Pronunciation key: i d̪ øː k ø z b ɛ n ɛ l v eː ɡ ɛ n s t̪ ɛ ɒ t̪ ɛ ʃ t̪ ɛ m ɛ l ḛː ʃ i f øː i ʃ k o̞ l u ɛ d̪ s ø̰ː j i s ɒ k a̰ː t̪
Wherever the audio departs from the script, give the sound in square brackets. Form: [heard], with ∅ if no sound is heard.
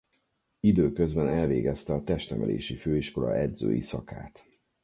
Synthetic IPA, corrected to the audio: i d̪ øː k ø z b ɛ n ɛ l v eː ɡ ɛ [∅] s t̪ ɛ ɒ t̪ ɛ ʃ t̪ ɛ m ɛ l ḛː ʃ i f øː i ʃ k o̞ l [ɒ] ɛ d̪ [z] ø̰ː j i s ɒ k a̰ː t̪